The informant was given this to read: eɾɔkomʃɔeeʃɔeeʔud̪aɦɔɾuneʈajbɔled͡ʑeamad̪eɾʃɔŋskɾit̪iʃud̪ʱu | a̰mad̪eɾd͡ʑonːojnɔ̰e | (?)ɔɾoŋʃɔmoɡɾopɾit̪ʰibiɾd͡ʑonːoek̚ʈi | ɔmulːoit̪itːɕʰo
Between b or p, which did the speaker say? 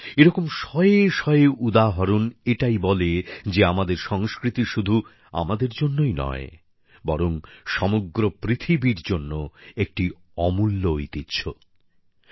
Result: b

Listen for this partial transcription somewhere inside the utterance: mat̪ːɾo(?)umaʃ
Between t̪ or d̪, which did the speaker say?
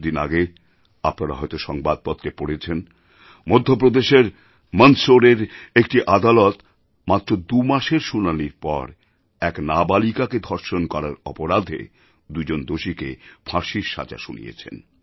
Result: d̪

